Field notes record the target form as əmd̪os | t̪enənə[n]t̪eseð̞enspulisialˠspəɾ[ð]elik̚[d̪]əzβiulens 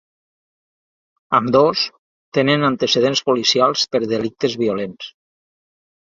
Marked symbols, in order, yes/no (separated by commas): yes, yes, no